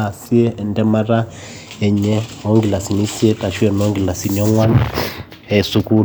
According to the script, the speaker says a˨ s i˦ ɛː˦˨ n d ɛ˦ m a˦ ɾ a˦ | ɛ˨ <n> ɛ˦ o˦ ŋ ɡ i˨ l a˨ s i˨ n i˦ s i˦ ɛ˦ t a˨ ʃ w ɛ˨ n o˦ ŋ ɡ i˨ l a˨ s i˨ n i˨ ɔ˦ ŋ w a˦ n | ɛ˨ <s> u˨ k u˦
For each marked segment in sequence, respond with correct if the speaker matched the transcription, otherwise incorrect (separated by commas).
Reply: incorrect, correct